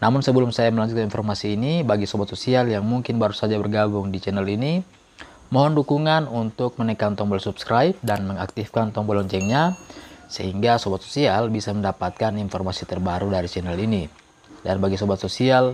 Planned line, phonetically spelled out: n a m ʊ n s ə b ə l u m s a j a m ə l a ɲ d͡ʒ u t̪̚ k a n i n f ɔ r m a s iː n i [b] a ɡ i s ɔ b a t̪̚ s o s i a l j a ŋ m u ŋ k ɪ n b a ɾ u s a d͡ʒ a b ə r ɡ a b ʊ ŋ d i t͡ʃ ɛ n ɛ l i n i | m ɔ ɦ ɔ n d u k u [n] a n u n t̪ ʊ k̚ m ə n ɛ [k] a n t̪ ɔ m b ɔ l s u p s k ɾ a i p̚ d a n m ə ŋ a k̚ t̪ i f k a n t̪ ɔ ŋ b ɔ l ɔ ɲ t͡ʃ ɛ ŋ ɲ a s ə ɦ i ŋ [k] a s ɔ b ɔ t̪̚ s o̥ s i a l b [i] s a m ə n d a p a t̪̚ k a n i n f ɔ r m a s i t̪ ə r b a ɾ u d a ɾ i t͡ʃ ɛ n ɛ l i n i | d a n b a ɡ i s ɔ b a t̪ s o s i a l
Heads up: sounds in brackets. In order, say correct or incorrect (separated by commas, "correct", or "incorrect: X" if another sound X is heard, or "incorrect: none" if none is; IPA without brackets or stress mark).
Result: correct, incorrect: ŋ, correct, incorrect: ɡ, correct